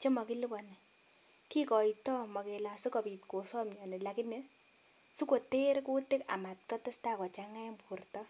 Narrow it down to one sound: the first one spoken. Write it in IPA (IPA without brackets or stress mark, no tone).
t͡ʃ